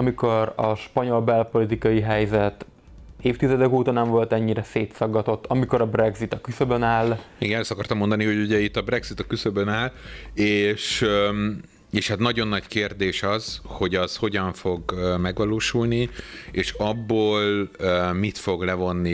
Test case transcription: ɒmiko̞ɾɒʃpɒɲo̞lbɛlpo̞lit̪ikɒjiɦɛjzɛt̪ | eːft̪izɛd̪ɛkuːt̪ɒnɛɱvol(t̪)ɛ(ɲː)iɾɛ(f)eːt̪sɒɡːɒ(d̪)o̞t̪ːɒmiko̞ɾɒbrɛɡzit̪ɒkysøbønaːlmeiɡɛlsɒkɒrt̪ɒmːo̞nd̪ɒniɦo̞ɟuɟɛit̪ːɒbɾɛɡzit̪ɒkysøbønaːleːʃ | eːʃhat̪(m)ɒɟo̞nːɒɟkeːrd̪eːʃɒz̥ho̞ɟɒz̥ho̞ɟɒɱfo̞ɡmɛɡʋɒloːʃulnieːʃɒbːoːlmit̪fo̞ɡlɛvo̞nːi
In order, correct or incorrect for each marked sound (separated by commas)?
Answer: correct, correct, incorrect, incorrect, incorrect